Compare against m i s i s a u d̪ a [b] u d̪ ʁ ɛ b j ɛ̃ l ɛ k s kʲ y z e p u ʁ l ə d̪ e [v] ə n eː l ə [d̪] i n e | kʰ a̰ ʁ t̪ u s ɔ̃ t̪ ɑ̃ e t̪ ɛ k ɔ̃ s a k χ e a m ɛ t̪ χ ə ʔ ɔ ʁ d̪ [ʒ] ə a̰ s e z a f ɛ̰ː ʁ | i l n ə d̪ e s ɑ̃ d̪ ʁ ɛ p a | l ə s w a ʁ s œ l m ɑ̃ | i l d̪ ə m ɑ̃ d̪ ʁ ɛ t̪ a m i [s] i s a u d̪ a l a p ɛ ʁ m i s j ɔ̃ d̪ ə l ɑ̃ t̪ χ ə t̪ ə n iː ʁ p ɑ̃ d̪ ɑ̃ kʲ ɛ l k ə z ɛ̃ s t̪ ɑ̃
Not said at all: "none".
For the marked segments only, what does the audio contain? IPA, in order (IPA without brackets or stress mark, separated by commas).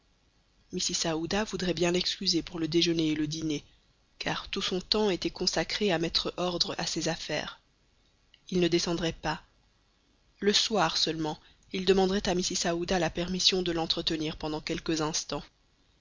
v, ʒ, d̪, ʁ, s